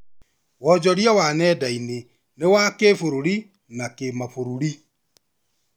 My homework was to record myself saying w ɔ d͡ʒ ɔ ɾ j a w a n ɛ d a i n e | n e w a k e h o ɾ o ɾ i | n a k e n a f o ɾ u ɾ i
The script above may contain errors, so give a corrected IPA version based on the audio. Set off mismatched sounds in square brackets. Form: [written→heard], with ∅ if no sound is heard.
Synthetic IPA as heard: w ɔ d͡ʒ ɔ ɾ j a w a n ɛ d a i n e | n e w a k e [h→f] o ɾ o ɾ i | n a k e [n→m] a f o ɾ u ɾ i